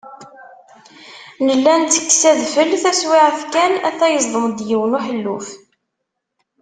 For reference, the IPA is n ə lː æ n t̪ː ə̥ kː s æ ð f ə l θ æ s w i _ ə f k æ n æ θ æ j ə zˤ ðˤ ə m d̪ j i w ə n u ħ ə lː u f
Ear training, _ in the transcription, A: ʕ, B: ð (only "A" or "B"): A